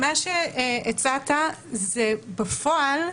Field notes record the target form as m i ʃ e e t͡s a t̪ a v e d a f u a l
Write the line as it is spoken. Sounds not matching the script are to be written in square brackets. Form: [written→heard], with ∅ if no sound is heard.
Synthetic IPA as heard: m [i→a] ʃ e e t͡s a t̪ a [v→z] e [d→b] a f [u→o] a l

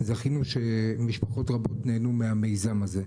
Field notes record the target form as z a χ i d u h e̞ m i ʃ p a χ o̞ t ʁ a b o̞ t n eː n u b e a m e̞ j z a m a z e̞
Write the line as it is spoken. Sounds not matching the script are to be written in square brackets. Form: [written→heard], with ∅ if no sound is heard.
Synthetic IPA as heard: z a χ i [d→n] u [h→ʃ] e̞ m i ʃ p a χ o̞ t ʁ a b o̞ t n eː n u [b→m] e a m e̞ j z a m a z e̞

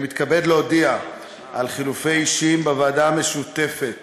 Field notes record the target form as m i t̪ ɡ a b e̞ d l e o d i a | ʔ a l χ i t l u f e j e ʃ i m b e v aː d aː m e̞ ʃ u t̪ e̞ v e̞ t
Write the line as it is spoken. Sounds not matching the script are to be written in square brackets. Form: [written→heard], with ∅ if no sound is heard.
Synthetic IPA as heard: m i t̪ [ɡ→k] a b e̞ d l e o d i a | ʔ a l χ i [t→∅] l u f e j [e→i] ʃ i m b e v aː d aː m e̞ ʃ u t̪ e̞ [v→f] e̞ t

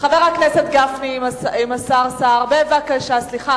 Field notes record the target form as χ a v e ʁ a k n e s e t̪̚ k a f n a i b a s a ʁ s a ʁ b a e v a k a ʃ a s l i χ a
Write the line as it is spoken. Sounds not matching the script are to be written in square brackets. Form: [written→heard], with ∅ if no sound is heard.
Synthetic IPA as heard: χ a v e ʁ a k n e s e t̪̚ [k→ɡ] a f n [a→i] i [b→m] a s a ʁ s a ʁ b [a→e] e v a k a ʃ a s l i χ a

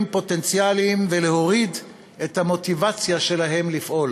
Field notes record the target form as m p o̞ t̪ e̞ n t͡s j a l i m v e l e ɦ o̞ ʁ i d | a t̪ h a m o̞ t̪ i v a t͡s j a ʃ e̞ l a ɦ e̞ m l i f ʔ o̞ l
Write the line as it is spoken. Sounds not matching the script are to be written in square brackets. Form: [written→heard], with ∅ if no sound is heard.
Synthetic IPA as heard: m p o̞ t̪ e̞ n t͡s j a l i m v e l e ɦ o̞ ʁ i d | [a→e] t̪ h a m o̞ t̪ i v a t͡s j a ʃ e̞ l a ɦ e̞ m l i f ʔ o̞ l

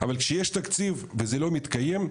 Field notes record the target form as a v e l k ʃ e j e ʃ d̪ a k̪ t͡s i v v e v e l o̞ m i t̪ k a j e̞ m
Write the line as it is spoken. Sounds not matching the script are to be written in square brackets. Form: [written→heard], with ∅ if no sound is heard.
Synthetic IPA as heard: a v [e→a] l k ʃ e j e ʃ [d̪→t̪] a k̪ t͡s i v v e [v→z] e l o̞ m i t̪ k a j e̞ m

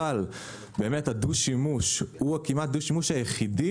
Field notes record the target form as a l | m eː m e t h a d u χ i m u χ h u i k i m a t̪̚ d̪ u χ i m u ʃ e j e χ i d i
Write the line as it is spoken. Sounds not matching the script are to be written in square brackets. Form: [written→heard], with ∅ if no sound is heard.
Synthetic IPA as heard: a l | [m→b] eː m e t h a d u [χ→ʃ] i m u [χ→ʃ] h u [i→a] k i m a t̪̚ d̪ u [χ→ʃ] i m u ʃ [e→a] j e χ i d i

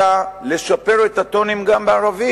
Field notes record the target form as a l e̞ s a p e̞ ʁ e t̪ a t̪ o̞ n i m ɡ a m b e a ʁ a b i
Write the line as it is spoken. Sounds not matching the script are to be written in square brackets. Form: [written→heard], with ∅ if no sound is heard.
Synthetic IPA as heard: a l e̞ [s→ʃ] a p e̞ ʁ e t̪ a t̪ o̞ n i m ɡ a m b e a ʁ a [b→v] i

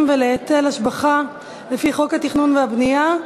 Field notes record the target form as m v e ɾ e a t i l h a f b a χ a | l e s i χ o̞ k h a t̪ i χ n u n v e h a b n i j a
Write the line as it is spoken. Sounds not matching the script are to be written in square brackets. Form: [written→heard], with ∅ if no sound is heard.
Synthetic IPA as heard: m v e [ɾ→l] e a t [i→e] l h a [f→ʃ] b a χ a | l e [s→f] i χ o̞ k h a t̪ i χ n u n v e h a b n i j a

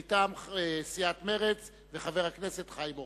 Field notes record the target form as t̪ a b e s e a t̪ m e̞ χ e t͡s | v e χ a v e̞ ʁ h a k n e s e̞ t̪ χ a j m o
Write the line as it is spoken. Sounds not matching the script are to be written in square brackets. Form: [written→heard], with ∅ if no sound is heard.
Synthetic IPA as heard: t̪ a [b→m] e s [e→i] a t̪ m e̞ [χ→ʁ] e t͡s | v e χ a v e̞ ʁ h a k n e s e̞ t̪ χ a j m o

